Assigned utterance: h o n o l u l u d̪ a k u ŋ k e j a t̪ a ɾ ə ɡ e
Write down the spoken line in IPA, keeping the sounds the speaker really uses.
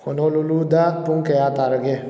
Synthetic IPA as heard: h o n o l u l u d̪ a p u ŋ k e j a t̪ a ɾ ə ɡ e